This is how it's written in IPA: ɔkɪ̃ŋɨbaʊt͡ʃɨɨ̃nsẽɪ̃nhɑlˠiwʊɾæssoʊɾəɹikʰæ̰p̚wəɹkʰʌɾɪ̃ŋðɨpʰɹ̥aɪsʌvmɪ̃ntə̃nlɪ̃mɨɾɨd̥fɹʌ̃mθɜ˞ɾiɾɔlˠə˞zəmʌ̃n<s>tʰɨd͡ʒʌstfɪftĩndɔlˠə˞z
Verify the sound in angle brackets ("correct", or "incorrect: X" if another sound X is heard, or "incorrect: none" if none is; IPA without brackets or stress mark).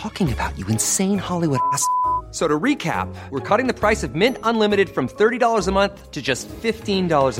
incorrect: θ